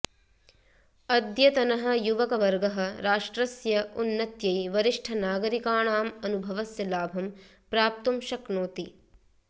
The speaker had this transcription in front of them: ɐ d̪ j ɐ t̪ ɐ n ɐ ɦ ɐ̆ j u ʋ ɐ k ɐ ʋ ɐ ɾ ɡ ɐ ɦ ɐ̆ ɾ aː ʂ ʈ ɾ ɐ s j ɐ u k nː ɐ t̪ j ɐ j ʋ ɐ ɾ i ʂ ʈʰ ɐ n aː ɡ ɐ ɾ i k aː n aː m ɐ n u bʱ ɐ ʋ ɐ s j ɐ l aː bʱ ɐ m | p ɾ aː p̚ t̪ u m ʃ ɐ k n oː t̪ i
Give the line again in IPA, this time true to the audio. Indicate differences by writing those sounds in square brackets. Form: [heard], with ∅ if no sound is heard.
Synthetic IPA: ɐ d̪ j ɐ t̪ ɐ n ɐ ɦ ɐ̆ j u ʋ ɐ k ɐ ʋ ɐ ɾ ɡ ɐ ɦ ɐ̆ ɾ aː ʂ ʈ ɾ ɐ s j ɐ u [∅] nː ɐ t̪ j ɐ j ʋ ɐ ɾ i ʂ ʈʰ ɐ n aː ɡ ɐ ɾ i k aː [ɳ] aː m ɐ n u bʱ ɐ ʋ ɐ s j ɐ l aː bʱ ɐ m | p ɾ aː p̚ t̪ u m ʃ ɐ k n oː t̪ i